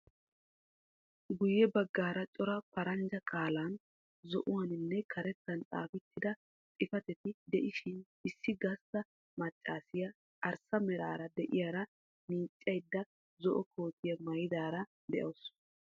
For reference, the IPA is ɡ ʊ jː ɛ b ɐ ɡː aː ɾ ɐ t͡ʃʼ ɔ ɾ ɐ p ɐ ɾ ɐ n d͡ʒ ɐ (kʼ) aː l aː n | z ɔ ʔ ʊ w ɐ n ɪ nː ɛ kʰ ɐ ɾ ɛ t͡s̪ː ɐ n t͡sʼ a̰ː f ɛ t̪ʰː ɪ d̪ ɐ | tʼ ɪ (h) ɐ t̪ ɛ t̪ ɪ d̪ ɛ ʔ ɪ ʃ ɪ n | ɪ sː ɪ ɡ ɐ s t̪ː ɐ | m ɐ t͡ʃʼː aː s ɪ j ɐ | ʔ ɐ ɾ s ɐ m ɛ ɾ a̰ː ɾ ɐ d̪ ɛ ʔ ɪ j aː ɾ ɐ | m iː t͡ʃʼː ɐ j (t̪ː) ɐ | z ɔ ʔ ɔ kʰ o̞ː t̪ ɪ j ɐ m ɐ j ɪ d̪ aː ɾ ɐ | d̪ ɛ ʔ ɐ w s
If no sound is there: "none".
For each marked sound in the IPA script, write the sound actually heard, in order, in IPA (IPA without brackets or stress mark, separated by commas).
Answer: kʼ, f, d̪ː